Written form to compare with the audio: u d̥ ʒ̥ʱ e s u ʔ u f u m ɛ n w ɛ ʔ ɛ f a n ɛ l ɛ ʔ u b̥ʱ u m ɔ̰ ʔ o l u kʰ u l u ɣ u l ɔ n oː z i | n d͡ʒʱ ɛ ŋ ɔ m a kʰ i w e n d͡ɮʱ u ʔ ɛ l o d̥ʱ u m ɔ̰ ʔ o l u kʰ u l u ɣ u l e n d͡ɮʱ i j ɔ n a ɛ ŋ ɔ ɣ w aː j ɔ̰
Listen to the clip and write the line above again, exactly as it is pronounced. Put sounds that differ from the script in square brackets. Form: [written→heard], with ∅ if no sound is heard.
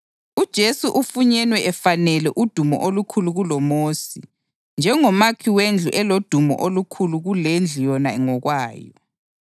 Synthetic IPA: u d̥ ʒ̥ʱ e s u ʔ u f u [m→ɲ] ɛ n w ɛ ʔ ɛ f a n ɛ l ɛ ʔ u [b̥ʱ→d̥ʱ] u m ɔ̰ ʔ o l u kʰ u l u ɣ u l ɔ [n→m] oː [z→s] i | n d͡ʒʱ ɛ ŋ ɔ m a kʰ i w e n d͡ɮʱ u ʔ ɛ l o d̥ʱ u m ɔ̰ ʔ o l u kʰ u l u ɣ u l e n d͡ɮʱ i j ɔ n a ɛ ŋ ɔ ɣ w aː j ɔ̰